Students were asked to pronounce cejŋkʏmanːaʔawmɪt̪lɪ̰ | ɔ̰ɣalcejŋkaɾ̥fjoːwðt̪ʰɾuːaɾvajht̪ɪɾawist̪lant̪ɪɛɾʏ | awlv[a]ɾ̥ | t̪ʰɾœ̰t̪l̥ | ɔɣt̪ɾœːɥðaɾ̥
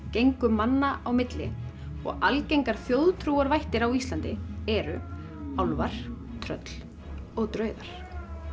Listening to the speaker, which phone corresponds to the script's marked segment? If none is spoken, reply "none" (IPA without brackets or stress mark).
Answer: a